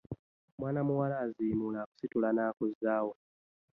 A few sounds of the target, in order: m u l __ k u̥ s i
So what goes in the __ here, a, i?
a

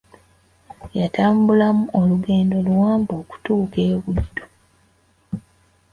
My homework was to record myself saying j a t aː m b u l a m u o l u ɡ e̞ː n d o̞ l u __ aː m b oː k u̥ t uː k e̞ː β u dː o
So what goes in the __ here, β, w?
w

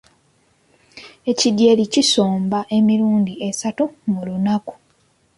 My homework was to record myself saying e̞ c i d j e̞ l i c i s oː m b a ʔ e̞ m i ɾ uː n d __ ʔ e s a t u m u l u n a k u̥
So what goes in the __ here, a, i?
i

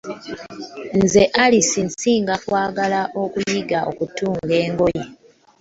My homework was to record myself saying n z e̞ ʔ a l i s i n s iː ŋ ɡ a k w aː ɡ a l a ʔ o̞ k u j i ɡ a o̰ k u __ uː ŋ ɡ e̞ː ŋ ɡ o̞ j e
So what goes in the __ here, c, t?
t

